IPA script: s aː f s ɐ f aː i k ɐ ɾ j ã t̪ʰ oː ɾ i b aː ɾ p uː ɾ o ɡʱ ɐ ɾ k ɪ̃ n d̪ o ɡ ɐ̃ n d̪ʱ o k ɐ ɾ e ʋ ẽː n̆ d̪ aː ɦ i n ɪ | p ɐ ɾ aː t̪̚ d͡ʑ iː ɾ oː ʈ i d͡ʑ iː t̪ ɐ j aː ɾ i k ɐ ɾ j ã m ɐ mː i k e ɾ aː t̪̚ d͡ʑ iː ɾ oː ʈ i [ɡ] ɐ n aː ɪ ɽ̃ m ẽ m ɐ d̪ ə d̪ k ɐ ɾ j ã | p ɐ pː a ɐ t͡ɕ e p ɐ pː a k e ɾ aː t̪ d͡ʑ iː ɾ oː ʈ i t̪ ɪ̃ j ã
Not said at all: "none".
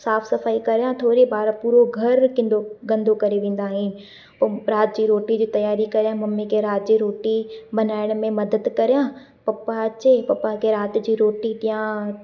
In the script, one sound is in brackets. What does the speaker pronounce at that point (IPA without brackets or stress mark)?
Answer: b